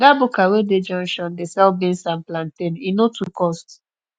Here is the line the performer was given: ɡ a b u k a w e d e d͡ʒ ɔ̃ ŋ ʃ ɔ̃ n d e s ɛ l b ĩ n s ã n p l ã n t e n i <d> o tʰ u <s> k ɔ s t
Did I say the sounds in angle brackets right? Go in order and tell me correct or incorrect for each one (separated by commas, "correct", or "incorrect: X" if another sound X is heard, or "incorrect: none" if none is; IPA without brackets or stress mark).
incorrect: n, incorrect: none